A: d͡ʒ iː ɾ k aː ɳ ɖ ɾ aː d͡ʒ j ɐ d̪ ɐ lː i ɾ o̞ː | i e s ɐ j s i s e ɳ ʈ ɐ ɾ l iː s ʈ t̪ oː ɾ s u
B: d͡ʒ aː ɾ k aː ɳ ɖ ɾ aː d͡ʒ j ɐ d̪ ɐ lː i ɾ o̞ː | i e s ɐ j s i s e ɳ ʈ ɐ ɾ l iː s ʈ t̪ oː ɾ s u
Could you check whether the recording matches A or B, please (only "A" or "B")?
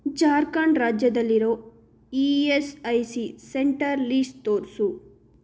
B